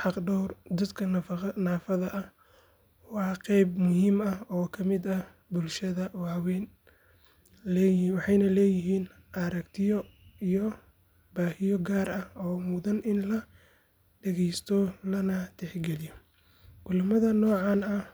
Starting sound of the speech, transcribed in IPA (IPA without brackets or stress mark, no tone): ħ